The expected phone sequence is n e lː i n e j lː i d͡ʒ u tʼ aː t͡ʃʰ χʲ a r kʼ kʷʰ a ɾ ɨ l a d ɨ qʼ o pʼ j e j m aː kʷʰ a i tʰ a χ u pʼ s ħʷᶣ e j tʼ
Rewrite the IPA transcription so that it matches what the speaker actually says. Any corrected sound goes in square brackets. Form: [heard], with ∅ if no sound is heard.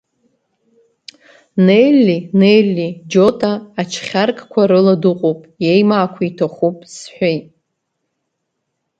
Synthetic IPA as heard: n e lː i n e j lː i d͡ʒ [o] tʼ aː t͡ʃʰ χʲ a r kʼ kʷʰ a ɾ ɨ l a d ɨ qʼ o pʼ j e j m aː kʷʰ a i tʰ a χ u pʼ s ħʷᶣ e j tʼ